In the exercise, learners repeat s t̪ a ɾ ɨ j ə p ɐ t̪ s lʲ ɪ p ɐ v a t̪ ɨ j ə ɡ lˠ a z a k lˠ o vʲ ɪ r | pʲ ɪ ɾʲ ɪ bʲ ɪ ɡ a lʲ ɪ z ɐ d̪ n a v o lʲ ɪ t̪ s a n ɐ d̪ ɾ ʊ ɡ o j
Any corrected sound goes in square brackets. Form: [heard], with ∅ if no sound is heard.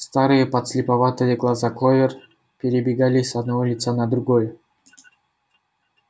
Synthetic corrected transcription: s t̪ a ɾ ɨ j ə p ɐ t̪ s lʲ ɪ p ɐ v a t̪ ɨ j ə ɡ lˠ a z a k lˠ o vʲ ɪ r | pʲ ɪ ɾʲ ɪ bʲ ɪ ɡ a lʲ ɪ [s] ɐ d̪ n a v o lʲ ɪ t̪ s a n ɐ d̪ ɾ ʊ ɡ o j